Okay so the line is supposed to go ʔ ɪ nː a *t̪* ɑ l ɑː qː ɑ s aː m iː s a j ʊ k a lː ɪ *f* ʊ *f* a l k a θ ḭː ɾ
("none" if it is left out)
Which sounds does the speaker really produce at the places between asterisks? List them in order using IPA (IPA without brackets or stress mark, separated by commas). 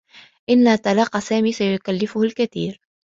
t̪, f, h